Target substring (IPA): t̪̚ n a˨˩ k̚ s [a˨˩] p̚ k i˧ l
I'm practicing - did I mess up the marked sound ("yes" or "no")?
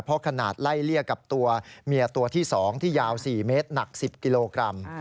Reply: yes